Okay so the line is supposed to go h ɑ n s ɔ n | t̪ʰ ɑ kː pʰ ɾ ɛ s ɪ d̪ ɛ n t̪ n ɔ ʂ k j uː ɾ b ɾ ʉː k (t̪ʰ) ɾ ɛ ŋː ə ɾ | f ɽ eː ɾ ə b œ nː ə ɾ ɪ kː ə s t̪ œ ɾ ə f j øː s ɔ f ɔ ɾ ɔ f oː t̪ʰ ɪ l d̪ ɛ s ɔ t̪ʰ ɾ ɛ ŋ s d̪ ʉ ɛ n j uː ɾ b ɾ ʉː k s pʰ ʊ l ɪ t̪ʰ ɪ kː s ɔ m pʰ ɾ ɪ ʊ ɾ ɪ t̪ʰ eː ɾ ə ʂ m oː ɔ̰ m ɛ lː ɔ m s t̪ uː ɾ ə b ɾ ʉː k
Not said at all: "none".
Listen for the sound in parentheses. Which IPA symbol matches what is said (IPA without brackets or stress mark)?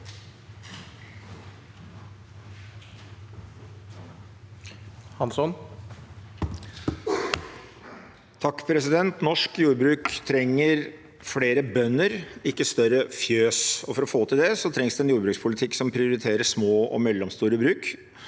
t̪ʰ